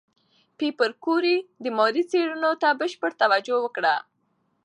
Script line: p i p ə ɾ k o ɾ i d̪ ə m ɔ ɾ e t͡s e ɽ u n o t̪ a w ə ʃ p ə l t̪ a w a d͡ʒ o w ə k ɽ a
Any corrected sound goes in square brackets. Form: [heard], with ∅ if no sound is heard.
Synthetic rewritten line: p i p ə ɾ k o ɾ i d̪ ə m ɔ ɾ [i] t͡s e ɽ u n o t̪ a [b] ə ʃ p ə [ɽ] t̪ a w a d͡ʒ o w ə k ɽ a

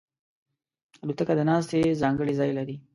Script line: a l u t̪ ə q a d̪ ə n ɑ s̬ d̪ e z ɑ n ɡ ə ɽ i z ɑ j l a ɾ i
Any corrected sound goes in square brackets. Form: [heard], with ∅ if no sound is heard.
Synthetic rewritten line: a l u t̪ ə [k] a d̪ ə n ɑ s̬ [t̪] e z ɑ [ŋ] ɡ ə ɽ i z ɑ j l a ɾ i

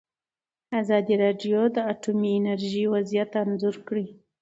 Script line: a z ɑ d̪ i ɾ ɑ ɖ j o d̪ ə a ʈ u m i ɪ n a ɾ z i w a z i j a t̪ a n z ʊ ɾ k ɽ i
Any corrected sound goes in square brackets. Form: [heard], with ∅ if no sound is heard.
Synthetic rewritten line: a z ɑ d̪ i ɾ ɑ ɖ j o d̪ ə a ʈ u m i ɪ n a ɾ [ʒ] i w a z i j a t̪ a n z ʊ ɾ k ɽ i

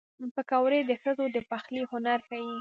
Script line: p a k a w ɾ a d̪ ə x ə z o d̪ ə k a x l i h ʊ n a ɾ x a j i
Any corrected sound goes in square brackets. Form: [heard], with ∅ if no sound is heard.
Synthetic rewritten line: p [ə] k a w ɾ [e] d̪ ə x ə z o d̪ ə [p] a x l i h ʊ n a ɾ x a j i

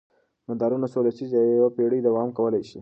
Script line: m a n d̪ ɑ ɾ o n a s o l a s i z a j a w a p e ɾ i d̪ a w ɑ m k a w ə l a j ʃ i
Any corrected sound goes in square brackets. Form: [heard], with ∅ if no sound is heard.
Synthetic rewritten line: m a n d̪ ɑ ɾ [u] n a s o l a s i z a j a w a p e [ɽ] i d̪ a w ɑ m k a w ə l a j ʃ i

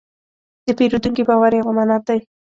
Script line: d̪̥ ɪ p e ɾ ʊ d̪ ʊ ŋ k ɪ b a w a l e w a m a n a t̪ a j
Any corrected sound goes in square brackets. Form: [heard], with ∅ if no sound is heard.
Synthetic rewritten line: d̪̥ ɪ p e ɾ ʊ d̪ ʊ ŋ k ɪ b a w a [ɾ] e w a m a n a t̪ a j

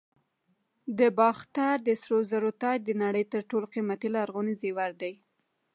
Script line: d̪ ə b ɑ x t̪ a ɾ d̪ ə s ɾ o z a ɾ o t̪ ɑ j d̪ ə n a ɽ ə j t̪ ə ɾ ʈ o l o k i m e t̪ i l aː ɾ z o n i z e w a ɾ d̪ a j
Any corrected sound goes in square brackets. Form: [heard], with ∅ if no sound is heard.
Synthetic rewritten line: d̪ ə b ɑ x t̪ a ɾ d̪ ə s ɾ o z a ɾ o t̪ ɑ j d̪ ə n a ɽ ə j t̪ ə ɾ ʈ o l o [q] i m [a] t̪ i l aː ɾ [ɣ] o n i z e w a ɾ d̪ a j

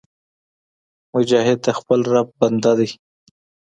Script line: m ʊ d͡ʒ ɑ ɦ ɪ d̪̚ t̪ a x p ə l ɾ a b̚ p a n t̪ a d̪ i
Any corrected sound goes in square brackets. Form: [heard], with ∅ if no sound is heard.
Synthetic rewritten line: m ʊ d͡ʒ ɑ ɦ ɪ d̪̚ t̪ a x p ə l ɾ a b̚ [b] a n [d̪] a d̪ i

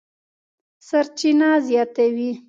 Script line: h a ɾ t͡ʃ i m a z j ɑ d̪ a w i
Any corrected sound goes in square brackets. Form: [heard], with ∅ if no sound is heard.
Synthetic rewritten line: [s] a ɾ t͡ʃ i [n] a z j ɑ [t̪] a w i

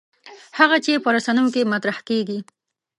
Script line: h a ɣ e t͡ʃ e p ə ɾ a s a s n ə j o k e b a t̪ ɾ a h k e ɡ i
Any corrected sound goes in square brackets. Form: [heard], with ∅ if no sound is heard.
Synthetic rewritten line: h a ɣ [a] t͡ʃ e p ə ɾ a s a [∅] n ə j o k e [m] a t̪ ɾ a h k e ɡ i

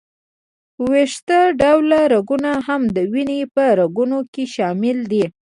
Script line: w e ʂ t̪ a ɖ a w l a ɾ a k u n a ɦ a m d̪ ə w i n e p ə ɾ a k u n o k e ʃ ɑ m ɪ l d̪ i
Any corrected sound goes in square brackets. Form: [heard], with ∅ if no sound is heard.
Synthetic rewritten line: w e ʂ t̪ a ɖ a w l a ɾ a [ɡ] u n a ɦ a m d̪ ə w i n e p ə ɾ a [ɡ] u n o k e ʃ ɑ m ɪ l d̪ i

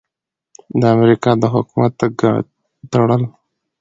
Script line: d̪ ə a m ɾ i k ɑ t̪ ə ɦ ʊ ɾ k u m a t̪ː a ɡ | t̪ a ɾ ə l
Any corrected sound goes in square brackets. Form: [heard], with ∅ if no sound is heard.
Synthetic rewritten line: d̪ ə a m ɾ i k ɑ [d̪] ə ɦ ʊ [∅] k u m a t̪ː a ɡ | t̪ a [ɽ] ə l

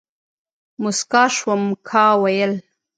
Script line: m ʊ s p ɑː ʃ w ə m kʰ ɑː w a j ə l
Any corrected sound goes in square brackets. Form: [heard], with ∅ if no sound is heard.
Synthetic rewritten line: m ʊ s [k] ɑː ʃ w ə m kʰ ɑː w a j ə l

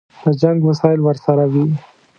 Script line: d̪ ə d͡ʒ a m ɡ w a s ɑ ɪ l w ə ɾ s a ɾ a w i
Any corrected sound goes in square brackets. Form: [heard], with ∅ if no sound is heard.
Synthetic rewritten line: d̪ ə d͡ʒ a [ŋ] ɡ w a s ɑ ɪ l w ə ɾ s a ɾ a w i

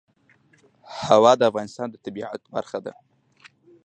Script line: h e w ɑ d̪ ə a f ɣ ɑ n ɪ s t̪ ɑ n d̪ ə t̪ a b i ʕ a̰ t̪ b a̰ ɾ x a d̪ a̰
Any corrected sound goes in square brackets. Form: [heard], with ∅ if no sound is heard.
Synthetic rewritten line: h [a] w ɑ d̪ ə a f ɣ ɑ n ɪ s t̪ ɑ n d̪ ə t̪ a b i ʕ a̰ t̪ b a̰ ɾ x a d̪ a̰

